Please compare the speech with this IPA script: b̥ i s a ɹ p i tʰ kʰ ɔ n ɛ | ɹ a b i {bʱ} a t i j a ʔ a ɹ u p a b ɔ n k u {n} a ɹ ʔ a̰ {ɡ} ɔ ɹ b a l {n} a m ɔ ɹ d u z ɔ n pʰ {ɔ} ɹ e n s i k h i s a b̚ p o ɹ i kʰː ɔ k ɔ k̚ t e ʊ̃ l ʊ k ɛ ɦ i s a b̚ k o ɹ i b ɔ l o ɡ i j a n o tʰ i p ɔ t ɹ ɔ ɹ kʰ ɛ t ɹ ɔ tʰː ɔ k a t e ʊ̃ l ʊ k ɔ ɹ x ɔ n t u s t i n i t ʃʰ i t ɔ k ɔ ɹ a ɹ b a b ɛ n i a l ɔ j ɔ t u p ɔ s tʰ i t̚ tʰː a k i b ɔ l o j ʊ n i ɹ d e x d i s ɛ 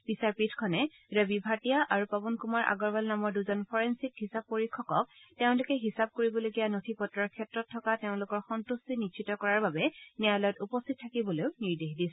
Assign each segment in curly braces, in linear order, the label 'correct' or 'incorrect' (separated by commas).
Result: correct, incorrect, correct, correct, correct